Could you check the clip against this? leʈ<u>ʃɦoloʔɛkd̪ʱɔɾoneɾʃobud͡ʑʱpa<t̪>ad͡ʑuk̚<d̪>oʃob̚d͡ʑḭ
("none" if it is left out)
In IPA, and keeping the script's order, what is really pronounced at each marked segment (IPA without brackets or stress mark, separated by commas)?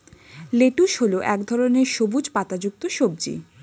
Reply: u, t̪, t̪